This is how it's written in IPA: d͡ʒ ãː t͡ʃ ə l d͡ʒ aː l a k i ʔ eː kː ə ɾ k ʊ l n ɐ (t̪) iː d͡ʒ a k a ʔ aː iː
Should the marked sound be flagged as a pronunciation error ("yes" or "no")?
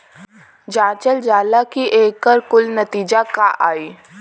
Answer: no